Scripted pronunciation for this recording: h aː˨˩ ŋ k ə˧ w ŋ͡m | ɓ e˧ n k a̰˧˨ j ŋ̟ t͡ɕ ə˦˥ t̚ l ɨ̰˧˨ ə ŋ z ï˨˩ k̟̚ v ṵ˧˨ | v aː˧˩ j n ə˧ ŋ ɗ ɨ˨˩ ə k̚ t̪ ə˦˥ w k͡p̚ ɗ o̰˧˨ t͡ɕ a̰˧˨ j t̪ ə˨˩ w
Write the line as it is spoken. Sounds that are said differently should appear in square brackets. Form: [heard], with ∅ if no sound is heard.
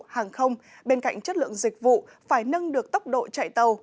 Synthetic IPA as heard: h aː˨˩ ŋ [x] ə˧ w ŋ͡m | ɓ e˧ n k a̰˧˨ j ŋ̟ t͡ɕ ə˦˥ t̚ l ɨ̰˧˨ ə ŋ z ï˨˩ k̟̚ v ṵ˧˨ | [f] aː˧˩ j n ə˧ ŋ ɗ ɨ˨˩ ə k̚ t̪ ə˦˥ w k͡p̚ ɗ o̰˧˨ t͡ɕ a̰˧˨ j t̪ ə˨˩ w